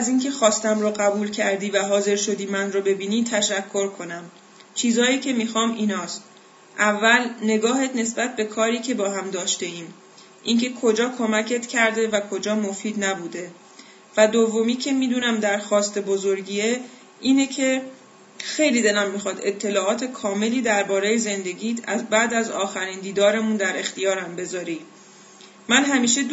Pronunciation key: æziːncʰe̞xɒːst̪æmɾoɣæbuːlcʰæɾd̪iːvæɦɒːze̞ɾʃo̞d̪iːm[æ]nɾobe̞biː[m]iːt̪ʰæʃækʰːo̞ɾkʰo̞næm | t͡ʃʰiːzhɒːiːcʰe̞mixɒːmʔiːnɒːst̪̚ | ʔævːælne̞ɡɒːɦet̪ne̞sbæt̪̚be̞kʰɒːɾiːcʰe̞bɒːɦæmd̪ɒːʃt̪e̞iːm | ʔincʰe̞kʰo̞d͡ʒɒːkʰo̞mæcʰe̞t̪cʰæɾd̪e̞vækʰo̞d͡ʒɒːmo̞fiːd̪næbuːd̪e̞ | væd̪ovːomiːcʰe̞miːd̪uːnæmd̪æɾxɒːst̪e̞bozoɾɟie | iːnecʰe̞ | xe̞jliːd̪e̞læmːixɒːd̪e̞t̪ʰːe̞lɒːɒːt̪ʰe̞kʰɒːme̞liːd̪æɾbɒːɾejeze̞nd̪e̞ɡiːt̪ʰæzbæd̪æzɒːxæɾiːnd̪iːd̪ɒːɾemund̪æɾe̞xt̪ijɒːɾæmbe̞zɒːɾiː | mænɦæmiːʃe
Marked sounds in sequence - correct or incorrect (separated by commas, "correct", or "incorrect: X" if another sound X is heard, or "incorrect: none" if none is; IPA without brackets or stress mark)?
correct, incorrect: n